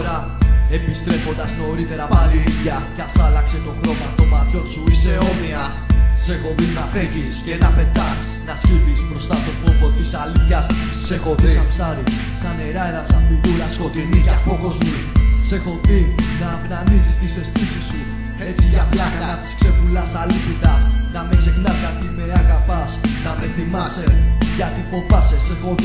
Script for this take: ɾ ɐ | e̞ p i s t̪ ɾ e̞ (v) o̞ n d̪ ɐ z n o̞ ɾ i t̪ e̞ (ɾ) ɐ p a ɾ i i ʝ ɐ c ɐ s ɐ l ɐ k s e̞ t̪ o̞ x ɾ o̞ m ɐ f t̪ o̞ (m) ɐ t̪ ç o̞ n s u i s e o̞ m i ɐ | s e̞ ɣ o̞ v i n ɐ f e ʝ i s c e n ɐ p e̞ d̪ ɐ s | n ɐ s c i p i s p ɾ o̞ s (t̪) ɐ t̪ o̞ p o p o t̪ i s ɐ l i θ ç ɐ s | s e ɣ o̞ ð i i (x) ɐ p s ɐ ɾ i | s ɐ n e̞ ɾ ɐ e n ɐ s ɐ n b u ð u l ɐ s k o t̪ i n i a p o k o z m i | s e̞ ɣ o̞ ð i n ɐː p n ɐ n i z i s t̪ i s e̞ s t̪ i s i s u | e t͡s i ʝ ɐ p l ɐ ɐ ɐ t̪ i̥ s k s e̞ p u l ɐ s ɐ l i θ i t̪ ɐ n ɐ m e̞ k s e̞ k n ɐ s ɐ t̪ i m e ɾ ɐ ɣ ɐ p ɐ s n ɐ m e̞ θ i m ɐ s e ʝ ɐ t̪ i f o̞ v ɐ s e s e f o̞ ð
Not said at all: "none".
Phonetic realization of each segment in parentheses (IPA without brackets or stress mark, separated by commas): f, ɾ, m, t̪, s